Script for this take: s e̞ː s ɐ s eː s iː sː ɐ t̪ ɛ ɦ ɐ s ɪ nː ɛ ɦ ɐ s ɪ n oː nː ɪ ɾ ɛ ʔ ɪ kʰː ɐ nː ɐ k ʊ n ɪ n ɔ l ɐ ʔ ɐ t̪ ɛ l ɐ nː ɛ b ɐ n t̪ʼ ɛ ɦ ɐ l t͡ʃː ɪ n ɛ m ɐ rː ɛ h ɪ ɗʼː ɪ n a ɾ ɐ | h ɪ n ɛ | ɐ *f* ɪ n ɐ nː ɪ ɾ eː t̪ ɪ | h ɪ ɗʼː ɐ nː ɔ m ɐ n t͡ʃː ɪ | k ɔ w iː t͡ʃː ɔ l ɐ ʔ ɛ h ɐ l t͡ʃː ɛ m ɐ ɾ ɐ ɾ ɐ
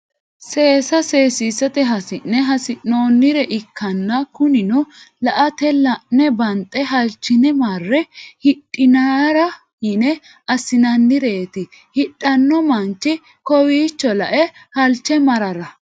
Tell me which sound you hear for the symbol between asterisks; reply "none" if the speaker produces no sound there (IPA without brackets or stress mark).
s